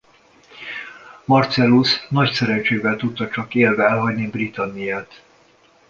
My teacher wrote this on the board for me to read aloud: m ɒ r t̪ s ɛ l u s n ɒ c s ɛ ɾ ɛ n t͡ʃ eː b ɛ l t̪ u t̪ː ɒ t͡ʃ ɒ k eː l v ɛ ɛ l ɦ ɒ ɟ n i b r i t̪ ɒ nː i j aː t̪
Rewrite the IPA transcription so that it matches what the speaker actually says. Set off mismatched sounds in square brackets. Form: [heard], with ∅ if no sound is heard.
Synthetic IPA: m ɒ r t̪ s ɛ l u s n ɒ c s ɛ ɾ ɛ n t͡ʃ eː [v] ɛ l t̪ u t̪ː ɒ t͡ʃ ɒ k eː l v ɛ ɛ l ɦ ɒ ɟ n i b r i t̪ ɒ nː i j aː t̪